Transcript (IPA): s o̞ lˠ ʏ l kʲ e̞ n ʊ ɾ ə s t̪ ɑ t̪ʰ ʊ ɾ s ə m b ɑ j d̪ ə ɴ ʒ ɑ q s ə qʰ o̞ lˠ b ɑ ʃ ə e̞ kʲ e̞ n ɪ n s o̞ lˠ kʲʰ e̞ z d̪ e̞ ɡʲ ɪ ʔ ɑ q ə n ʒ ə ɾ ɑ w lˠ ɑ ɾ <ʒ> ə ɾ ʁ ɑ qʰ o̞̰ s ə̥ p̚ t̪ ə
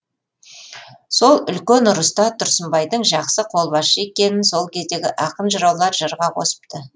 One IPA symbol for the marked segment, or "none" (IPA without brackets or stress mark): ʒ